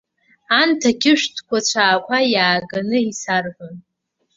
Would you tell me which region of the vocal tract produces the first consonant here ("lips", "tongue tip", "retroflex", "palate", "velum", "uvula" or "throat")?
tongue tip